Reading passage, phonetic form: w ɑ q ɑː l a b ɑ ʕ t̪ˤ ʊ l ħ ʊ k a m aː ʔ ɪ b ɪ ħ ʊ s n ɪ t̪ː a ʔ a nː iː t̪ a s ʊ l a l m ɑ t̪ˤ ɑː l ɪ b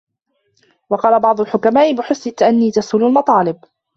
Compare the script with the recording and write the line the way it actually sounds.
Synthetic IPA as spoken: w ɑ q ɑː l a b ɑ ʕ d̪ˤ ʊ l ħ ʊ k a m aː ʔ ɪ b ɪ ħ ʊ s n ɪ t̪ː a ʔ a nː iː t̪ a s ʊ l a l m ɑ t̪ˤ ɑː l ɪ b